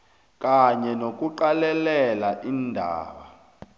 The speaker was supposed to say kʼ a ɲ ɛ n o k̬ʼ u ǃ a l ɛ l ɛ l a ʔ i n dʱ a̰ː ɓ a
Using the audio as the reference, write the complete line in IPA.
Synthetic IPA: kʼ a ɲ ɛ n o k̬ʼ u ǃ a l ɛ l ɛ l a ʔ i n dʱ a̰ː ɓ a